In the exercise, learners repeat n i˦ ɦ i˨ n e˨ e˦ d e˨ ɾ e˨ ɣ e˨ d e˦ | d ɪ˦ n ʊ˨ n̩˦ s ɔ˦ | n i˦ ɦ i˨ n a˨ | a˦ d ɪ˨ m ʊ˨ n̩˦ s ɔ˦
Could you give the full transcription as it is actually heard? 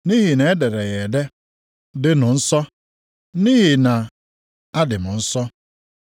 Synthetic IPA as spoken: n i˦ ɦ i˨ n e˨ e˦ d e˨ ɾ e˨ ɣ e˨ d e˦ | d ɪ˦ n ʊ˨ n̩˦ s ɔ˦ | n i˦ ɦ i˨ n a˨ | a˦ d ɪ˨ m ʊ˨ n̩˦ s ɔ˦